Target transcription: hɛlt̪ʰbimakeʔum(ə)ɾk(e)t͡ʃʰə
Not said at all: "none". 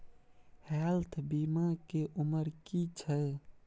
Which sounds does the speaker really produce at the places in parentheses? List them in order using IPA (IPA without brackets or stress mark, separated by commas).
ə, i